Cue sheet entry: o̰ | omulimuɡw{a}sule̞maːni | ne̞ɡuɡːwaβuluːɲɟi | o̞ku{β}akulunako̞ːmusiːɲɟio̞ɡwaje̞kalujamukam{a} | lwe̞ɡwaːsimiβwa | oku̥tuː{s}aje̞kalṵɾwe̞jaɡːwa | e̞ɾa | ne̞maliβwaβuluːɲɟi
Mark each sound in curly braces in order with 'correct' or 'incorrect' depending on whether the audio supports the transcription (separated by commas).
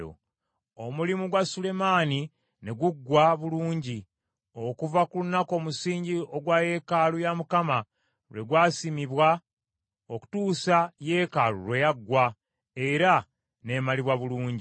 correct, incorrect, correct, correct